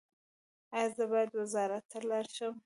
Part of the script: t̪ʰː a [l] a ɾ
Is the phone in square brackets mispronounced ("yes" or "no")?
no